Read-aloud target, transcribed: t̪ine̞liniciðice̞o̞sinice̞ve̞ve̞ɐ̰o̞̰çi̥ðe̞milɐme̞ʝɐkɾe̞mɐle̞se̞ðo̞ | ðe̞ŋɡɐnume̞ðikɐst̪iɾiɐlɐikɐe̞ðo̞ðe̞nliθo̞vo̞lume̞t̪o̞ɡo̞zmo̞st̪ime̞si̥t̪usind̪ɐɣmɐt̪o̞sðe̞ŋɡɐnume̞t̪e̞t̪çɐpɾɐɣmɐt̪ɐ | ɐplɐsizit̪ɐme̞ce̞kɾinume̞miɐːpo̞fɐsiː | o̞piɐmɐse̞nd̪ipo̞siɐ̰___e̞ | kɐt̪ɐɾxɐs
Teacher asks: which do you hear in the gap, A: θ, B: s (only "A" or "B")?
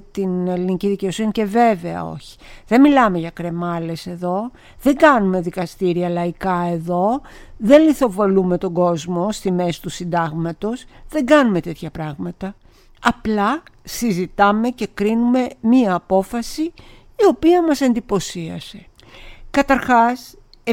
B